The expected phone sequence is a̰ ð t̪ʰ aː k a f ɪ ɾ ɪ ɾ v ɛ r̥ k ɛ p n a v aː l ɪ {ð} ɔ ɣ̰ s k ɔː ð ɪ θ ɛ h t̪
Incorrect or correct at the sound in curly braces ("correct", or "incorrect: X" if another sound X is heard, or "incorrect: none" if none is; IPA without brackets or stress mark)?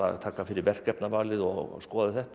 correct